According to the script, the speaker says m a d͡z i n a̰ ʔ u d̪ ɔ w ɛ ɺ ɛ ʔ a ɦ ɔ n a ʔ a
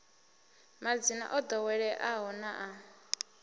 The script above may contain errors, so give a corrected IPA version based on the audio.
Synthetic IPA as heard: m a d͡z i n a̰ ʔ ɔ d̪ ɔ w ɛ ɺ ɛ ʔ a ɦ ɔ n a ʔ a